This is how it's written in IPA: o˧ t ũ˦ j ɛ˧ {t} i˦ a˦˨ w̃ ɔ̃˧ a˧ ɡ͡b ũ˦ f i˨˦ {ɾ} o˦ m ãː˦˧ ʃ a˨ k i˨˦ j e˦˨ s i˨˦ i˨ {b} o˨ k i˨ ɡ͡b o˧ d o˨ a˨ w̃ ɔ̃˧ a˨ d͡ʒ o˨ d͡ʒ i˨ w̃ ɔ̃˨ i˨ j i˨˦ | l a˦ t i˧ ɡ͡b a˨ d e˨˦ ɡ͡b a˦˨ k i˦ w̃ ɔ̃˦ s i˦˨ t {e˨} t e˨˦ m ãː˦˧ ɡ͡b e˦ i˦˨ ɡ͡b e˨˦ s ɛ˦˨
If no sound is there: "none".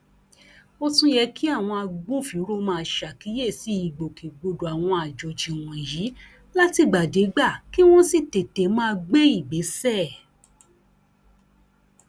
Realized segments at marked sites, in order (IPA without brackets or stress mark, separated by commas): k, ɾ, ɡ͡b, e˨